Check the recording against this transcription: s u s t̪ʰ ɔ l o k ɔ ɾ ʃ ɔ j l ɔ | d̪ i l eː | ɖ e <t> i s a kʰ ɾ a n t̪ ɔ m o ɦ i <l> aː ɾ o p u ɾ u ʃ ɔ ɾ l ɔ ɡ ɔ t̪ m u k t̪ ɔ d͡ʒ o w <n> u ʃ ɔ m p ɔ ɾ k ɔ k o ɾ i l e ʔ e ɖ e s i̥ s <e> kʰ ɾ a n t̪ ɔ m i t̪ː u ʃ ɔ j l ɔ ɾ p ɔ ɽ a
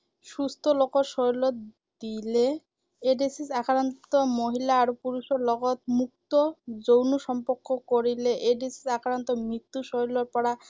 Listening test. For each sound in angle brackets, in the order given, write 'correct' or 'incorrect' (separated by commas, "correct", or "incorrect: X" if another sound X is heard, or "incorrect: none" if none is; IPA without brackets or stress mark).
incorrect: s, correct, correct, incorrect: a